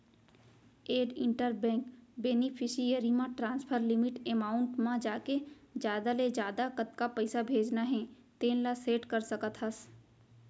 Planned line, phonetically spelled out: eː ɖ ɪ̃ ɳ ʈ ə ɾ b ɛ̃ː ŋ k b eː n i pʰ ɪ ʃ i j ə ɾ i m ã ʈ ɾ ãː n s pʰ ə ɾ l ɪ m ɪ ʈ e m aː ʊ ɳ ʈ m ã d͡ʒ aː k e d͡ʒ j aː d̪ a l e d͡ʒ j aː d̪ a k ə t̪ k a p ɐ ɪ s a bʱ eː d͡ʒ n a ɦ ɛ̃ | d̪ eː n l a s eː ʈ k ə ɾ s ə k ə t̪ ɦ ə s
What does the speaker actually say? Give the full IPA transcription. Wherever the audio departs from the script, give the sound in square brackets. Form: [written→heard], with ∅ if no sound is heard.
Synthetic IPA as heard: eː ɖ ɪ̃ ɳ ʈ ə ɾ b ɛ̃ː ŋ k b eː n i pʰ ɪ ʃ i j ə ɾ i m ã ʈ ɾ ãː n s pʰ ə ɾ l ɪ m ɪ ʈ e m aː ʊ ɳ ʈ m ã d͡ʒ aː k e d͡ʒ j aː d̪ a l e d͡ʒ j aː d̪ a k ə t̪ k a p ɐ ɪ s a bʱ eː d͡ʒ n a ɦ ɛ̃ | [d̪→t̪] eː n l a s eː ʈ k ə ɾ s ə k ə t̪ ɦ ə s